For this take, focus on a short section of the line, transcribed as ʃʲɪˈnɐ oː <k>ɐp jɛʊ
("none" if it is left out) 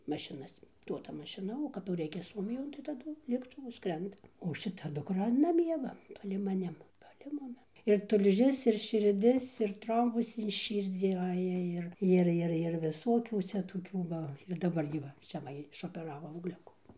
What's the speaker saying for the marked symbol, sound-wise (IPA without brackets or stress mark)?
k